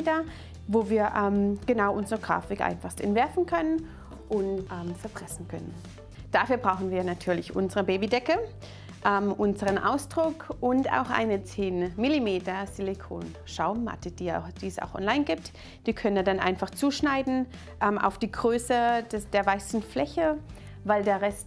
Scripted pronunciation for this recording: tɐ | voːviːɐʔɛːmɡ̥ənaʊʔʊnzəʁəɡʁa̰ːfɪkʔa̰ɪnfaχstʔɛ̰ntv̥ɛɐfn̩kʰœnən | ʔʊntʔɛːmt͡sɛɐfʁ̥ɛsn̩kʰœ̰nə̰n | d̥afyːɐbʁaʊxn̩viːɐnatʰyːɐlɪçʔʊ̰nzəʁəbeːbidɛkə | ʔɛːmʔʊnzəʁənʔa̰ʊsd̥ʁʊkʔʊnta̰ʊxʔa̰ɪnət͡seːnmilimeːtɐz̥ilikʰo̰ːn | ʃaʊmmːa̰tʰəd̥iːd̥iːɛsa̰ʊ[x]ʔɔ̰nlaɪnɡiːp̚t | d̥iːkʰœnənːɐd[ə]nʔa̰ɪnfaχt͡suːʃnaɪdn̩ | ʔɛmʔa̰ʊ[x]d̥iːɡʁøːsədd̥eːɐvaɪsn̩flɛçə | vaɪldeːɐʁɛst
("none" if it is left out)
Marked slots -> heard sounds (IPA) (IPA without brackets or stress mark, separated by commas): x, a, f